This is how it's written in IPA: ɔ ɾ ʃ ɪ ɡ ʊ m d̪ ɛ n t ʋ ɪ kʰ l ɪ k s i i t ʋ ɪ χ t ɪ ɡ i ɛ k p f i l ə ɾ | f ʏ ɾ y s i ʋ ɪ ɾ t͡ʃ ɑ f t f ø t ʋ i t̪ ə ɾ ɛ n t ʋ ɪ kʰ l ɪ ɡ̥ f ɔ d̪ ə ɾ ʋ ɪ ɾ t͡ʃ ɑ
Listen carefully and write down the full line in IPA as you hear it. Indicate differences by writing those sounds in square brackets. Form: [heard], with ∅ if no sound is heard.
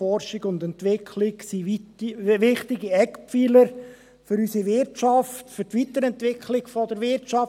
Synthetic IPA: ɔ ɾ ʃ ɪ ɡ ʊ [n] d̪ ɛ n t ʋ ɪ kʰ l ɪ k s i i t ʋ ɪ χ t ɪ ɡ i ɛ k p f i l ə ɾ | f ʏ ɾ y s i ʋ ɪ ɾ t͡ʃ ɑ f t f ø t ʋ i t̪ ə ɾ ɛ n t ʋ ɪ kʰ l ɪ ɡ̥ f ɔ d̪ ə ɾ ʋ ɪ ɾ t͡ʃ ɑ

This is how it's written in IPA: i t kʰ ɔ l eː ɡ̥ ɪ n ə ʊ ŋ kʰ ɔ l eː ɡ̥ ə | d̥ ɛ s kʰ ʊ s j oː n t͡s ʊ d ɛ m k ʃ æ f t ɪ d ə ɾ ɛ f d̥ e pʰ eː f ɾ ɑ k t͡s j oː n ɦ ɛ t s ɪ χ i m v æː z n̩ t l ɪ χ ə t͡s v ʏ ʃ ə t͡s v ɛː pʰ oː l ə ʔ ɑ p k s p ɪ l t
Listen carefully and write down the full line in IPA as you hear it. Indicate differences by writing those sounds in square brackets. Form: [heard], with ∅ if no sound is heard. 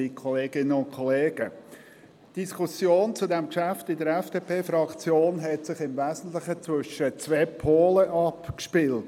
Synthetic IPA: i [∅] kʰ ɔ l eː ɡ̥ ɪ n ə ʊ [n] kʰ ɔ l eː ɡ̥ ə | d̥ [i] s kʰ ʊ s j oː n t͡s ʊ d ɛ m k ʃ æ f t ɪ d ə ɾ ɛ f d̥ e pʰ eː f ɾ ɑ k t͡s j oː n ɦ ɛ t s ɪ χ [ɪ] m v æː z n̩ t l ɪ χ ə t͡s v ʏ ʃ ə t͡s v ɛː pʰ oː l ə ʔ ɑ p k [ʃ] p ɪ l t

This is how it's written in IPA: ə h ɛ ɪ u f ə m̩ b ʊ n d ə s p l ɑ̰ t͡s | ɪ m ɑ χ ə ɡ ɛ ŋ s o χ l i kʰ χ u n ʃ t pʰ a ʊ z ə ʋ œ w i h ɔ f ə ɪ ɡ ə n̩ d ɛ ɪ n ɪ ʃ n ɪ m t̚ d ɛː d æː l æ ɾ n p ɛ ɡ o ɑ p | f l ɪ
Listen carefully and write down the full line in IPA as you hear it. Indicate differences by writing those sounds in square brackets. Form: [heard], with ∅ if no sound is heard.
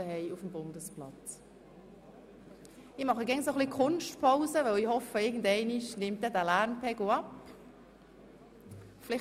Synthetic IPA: ə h ɛ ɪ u f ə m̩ b ʊ n d ə s p l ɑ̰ t͡s | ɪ m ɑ χ ə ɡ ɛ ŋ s o χ l i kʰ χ [ʊ] n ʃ t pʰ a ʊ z ə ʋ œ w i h ɔ f ə ɪ ɡ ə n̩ d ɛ ɪ n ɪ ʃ n ɪ m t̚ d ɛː d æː l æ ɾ n p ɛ ɡ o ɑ p | f l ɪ

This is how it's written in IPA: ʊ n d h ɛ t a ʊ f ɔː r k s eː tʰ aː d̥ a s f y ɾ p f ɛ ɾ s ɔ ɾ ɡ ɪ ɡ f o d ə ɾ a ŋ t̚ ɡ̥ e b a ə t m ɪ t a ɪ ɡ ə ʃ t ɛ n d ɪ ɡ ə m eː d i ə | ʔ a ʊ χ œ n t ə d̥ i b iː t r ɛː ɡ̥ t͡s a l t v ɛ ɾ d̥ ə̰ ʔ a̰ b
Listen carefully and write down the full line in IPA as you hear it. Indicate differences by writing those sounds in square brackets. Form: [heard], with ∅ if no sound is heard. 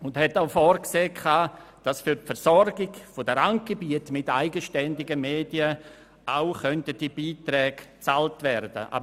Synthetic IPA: ʊ n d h ɛ t a ʊ f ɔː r k s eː [kʰ] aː d̥ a s f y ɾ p f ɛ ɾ s ɔ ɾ ɡ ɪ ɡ f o d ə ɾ a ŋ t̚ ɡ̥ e b [i] ə t m ɪ t a ɪ ɡ ə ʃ t ɛ n d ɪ ɡ ə m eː d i ə | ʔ a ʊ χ œ n t ə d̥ i b iː t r ɛː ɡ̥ t͡s a l t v ɛ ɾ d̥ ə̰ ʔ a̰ b

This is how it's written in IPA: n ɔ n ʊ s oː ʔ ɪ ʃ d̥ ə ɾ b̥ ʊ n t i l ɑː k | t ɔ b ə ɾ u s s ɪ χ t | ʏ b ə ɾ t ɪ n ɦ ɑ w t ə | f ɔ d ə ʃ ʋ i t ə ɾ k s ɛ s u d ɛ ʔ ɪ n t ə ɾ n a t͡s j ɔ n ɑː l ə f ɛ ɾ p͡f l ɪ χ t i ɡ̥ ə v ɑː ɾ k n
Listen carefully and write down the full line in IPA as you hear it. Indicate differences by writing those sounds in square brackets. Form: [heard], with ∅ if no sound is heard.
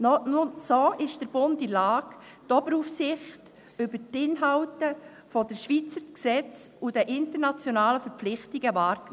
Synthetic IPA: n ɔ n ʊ s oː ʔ ɪ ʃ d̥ ə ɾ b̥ ʊ n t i l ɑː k | t ɔ b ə ɾ u [f] s ɪ χ t | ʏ b ə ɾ t ɪ n ɦ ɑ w t ə | f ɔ d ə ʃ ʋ i [t͡s] ə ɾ k s ɛ [t͡s] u d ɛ ʔ ɪ n t ə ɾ n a t͡s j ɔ n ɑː l ə f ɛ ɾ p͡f l ɪ χ t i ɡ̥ ə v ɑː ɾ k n

